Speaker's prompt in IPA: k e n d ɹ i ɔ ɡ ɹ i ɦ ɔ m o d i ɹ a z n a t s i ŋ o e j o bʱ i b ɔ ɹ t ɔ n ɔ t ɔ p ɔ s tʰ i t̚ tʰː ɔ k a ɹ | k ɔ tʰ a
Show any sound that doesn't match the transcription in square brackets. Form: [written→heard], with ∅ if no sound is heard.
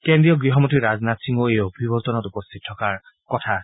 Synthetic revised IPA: k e n d ɹ i ɔ ɡ ɹ i ɦ ɔ m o [d→t] i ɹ a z n a t s i ŋ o e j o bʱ i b ɔ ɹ t ɔ n ɔ t [ɔ→u] p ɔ s tʰ i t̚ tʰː ɔ k a ɹ | k ɔ tʰ a